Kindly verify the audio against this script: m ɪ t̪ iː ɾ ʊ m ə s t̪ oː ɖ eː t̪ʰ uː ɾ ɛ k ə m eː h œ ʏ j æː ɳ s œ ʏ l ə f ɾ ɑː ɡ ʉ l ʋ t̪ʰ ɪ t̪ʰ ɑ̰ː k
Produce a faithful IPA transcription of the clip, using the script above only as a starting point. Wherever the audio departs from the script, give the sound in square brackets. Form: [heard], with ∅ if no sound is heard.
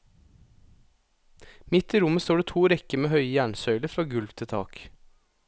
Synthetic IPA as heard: m ɪ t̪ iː ɾ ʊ m ə s t̪ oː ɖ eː t̪ʰ uː ɾ ɛ k ə m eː h œ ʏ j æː ɳ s œ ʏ l ə f ɾ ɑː ɡ ʉ l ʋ t̪ʰ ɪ t̪ʰ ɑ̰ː k